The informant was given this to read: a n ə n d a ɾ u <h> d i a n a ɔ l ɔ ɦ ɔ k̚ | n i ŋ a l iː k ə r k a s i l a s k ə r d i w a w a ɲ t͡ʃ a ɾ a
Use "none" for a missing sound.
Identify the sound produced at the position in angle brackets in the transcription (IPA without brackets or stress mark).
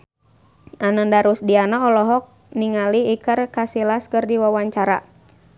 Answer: s